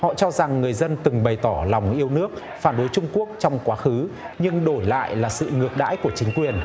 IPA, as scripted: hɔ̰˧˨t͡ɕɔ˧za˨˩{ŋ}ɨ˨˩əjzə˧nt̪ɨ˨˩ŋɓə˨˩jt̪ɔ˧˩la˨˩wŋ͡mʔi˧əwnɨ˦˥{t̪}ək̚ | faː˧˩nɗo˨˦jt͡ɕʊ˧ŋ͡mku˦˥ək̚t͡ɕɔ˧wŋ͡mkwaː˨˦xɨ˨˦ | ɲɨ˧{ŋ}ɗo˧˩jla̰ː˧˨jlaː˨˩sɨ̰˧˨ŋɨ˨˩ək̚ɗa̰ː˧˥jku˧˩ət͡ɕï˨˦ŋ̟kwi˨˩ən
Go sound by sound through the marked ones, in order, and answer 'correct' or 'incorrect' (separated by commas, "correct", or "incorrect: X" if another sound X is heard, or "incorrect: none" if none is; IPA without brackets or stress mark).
incorrect: ŋː, incorrect: none, correct